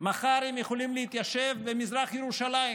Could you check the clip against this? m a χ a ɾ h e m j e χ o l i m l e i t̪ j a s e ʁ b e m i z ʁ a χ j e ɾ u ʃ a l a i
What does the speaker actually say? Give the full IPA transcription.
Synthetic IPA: m a χ a ɾ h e m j e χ o l i m l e i t̪ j a ʃ e v b e m i z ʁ a χ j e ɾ u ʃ a l a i

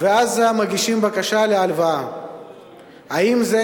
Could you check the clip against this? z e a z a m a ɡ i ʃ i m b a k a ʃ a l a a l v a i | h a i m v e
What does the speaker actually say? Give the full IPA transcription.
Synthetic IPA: v e a z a m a ɡ i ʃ i m b a k a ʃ a l e a l v a a | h a i m z e

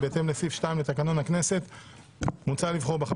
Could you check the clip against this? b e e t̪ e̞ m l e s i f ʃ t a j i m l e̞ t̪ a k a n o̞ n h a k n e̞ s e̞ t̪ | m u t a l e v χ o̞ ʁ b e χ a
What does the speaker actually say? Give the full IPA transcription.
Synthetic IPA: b e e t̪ e̞ m l e s i f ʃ t a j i m l e̞ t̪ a k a n o̞ n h a k n e̞ s e̞ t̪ | m u t͡s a l i v χ o̞ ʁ b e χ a

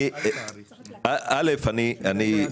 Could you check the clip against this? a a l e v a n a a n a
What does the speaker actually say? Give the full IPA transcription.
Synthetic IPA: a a l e f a n i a n i

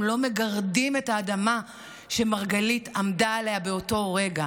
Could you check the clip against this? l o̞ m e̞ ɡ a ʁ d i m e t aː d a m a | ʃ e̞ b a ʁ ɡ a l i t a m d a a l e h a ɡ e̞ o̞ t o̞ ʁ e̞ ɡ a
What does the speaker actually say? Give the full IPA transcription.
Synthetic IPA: l o̞ m e̞ ɡ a ʁ d i m e t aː d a m a | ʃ e̞ m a ʁ ɡ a l i t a m d a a l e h a b e̞ o̞ t o̞ ʁ e̞ ɡ a

